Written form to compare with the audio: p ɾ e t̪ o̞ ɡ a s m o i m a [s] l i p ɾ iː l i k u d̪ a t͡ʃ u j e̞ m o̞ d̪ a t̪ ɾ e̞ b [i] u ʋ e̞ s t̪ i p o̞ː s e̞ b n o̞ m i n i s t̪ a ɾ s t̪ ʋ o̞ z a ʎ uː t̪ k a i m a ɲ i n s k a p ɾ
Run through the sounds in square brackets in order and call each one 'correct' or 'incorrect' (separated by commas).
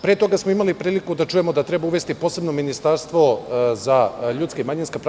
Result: incorrect, incorrect